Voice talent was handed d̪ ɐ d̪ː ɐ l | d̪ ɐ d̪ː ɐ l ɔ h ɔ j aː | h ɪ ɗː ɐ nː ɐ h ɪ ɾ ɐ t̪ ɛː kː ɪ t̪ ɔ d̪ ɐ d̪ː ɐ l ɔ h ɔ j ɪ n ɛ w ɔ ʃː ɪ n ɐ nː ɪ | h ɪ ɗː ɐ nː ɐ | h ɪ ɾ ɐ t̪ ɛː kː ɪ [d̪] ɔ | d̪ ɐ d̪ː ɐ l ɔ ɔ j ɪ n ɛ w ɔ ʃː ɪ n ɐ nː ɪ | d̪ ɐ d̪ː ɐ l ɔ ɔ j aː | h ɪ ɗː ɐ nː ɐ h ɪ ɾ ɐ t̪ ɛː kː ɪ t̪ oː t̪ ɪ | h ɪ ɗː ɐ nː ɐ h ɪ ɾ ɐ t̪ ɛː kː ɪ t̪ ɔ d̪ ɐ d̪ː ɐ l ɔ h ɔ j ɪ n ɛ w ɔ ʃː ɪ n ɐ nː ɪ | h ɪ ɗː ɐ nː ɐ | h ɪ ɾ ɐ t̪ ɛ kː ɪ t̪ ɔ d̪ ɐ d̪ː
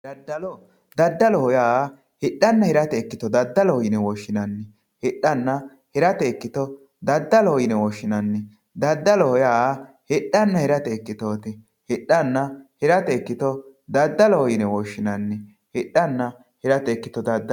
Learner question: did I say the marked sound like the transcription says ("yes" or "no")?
no